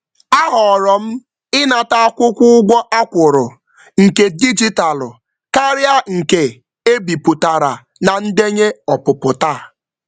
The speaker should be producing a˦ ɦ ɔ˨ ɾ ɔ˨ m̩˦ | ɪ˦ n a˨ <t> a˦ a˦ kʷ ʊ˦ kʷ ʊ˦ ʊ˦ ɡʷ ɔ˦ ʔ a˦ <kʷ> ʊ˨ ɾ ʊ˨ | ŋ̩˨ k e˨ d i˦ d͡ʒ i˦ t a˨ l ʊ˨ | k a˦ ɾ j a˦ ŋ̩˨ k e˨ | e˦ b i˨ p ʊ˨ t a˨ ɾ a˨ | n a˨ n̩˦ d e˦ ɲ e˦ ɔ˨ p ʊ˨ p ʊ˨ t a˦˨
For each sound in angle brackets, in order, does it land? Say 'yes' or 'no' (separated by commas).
yes, yes